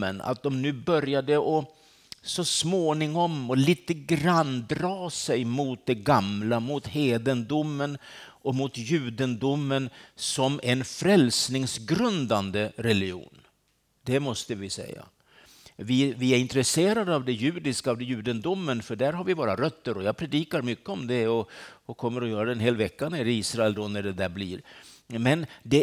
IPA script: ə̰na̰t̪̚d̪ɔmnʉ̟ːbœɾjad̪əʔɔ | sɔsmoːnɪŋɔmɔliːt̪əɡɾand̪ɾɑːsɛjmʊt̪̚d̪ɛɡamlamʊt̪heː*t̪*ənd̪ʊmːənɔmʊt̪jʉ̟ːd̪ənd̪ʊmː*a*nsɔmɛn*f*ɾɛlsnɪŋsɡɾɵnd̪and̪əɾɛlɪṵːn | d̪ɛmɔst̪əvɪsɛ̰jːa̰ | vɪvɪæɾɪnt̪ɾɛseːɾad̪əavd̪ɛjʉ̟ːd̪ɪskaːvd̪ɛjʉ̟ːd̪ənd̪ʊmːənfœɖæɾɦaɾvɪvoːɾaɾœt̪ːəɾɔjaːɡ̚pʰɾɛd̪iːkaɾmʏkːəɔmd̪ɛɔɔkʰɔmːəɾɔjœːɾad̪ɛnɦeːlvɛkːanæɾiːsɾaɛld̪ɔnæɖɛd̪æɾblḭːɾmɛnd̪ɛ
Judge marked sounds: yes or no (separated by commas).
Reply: no, no, yes